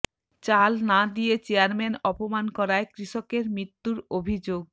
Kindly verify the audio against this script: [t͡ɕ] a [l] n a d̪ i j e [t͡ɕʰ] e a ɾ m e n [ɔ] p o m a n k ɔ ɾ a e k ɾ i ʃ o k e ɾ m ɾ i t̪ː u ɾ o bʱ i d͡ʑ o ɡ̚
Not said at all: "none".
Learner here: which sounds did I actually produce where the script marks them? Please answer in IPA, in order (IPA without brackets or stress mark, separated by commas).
t͡ɕ, l, t͡ɕ, ɔ